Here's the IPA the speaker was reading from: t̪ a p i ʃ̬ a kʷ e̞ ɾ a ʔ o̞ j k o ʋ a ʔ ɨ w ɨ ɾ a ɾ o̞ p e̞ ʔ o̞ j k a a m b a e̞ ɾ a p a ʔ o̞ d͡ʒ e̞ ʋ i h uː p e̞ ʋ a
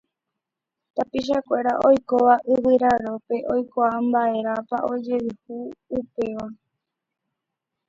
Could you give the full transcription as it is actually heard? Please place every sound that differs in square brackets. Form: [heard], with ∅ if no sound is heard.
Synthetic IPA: t̪ a p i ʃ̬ a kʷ e̞ ɾ a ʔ o̞ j k o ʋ a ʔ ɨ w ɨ ɾ a ɾ o̞ p e̞ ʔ o̞ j k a a m b a e̞ ɾ a p a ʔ o̞ d͡ʒ e̞ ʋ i h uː p e̞ ʋ a